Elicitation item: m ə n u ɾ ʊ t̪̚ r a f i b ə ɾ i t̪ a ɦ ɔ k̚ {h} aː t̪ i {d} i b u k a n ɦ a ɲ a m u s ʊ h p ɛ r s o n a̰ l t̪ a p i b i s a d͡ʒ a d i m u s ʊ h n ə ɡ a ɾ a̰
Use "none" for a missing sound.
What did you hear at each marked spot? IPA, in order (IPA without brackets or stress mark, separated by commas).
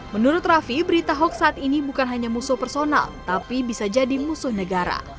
s, n